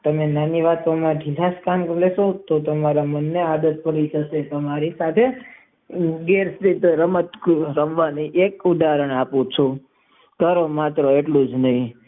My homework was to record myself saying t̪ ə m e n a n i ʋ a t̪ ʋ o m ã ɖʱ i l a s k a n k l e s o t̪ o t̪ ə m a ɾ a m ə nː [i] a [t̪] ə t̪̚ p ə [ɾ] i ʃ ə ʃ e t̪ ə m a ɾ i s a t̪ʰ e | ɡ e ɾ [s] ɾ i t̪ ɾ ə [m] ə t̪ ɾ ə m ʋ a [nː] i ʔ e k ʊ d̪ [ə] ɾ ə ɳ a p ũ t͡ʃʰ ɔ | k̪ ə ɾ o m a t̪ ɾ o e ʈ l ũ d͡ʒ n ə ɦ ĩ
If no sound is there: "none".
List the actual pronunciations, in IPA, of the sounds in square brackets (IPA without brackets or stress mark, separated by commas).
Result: e, d̪, ɾ, s, m, n, a